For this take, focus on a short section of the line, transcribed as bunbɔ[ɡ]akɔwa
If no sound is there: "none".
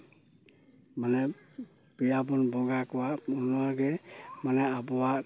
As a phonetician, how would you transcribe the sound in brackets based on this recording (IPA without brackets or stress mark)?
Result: ɡ